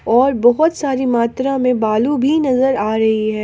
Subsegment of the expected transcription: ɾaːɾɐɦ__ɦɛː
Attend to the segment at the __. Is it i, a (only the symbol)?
i